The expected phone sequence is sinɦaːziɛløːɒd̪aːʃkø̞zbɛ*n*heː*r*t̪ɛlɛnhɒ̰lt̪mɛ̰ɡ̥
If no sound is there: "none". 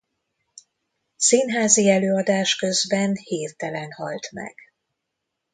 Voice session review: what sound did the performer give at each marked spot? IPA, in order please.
n, r

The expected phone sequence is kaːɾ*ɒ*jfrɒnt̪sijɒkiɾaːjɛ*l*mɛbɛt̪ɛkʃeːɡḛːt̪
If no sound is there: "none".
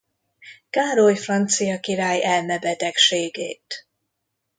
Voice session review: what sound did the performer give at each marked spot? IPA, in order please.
o, l

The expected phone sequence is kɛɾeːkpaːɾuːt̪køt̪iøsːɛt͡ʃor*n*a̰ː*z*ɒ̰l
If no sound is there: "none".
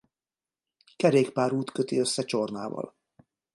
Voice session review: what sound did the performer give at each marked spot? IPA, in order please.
n, v

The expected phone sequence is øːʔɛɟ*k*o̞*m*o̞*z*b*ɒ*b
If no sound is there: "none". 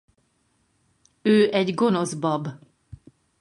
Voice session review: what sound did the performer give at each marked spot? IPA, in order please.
ɡ, n, z, ɒ

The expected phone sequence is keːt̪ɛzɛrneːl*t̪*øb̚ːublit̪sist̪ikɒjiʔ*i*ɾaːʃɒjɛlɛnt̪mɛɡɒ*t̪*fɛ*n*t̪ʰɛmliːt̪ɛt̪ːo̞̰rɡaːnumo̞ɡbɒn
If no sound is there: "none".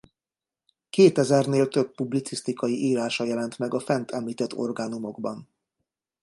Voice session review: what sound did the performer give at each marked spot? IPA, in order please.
t̪, iː, none, n

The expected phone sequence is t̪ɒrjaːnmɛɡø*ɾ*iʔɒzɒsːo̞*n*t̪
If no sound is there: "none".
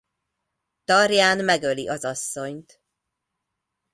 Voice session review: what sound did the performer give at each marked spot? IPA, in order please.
l, ɲ

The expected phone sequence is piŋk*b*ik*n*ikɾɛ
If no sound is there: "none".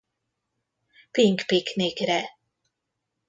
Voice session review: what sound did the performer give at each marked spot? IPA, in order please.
p, n

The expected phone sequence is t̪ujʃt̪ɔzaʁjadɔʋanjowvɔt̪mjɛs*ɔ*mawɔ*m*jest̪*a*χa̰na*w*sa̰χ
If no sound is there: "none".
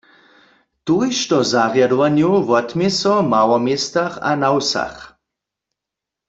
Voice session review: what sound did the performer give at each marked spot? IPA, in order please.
ɔ, m, a, w

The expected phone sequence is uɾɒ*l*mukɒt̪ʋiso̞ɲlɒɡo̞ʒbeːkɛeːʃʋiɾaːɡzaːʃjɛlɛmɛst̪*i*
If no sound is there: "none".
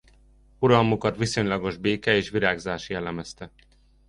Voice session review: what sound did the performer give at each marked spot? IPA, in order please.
l, ɛ

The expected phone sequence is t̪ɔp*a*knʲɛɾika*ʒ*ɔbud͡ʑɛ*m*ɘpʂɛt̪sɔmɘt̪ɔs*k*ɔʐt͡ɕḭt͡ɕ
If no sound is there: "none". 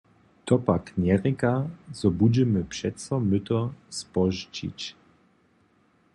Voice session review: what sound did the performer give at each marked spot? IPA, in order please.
a, z, m, p

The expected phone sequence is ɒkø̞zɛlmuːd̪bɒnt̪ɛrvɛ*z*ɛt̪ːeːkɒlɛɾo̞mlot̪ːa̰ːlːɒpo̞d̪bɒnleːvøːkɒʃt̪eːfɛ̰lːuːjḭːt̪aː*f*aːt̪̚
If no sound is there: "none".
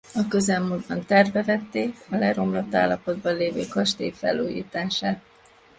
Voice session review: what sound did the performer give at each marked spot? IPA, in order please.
v, ʃ

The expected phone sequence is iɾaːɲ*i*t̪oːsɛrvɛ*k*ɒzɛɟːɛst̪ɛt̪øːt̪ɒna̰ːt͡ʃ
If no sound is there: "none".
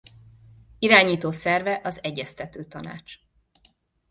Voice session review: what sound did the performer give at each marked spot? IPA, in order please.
iː, ʔ

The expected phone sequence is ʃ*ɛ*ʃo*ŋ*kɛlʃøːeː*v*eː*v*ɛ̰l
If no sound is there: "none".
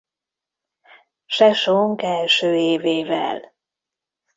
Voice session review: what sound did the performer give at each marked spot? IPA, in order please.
ɛ, ŋ, v, v

